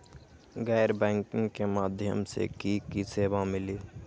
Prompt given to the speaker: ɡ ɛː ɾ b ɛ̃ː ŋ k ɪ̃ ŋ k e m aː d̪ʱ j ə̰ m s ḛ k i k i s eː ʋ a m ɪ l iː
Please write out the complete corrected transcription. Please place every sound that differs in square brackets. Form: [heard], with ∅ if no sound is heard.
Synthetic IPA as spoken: ɡ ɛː ɾ b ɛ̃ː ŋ k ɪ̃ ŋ k e m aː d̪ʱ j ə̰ m s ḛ k i k i s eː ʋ a m ɪ l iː